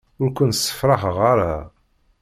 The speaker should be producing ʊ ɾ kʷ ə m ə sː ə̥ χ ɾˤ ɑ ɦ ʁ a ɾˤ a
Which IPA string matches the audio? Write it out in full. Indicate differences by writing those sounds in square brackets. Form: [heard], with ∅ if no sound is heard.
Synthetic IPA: ʊ ɾ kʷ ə [n] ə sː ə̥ [f] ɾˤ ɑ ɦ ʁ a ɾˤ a

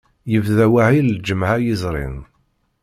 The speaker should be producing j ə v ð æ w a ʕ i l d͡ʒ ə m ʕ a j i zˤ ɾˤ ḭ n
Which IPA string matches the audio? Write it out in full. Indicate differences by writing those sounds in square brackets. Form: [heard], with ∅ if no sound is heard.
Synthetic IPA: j ə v ð æ w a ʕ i l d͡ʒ ə m ʕ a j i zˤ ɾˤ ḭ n

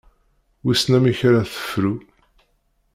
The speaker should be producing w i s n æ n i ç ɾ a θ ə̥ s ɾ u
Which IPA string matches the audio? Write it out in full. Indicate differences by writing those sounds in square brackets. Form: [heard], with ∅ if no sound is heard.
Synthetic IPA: w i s n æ [m] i ç ɾ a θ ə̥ [f] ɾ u

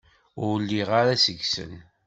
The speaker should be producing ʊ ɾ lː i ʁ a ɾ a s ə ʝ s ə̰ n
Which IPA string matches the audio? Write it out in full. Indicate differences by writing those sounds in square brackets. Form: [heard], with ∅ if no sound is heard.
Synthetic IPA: ʊ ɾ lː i ʁ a ɾ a s ə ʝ s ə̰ n

